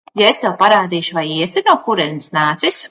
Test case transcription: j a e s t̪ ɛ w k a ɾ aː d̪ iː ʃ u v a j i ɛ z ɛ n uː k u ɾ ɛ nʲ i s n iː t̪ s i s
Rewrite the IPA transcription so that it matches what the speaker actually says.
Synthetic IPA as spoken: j a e s t̪ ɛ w p a ɾ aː d̪ iː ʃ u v a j i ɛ s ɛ n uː k u ɾ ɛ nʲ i s n aː t̪ s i s